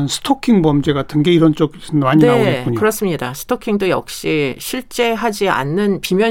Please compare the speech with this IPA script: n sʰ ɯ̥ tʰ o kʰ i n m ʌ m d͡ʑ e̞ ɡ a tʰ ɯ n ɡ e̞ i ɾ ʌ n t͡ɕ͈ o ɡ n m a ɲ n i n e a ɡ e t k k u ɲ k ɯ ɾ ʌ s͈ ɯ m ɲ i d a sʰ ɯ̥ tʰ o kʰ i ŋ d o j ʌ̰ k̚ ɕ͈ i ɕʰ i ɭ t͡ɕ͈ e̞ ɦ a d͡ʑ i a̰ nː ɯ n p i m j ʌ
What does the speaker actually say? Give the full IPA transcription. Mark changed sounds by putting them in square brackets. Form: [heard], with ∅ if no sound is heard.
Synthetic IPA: n sʰ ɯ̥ tʰ o kʰ i [ŋ] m ʌ m d͡ʑ e̞ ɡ a tʰ ɯ n ɡ e̞ i ɾ ʌ n t͡ɕ͈ o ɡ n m a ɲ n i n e a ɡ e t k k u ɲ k ɯ ɾ ʌ s͈ ɯ m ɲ i d a sʰ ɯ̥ tʰ o kʰ i ŋ d o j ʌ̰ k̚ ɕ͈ i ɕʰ i ɭ t͡ɕ͈ e̞ ɦ a d͡ʑ i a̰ nː ɯ n p i m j ʌ